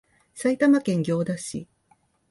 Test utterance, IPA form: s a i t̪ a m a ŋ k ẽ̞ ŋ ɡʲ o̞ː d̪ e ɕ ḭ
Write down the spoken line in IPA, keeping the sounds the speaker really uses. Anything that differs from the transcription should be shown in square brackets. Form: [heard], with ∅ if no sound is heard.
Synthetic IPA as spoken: s a i t̪ a m a [∅] k ẽ̞ ŋ ɡʲ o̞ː d̪ [a] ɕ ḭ